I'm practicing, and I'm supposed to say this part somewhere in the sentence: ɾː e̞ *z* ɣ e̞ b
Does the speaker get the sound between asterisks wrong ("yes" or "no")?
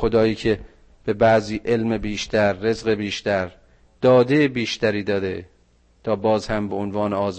no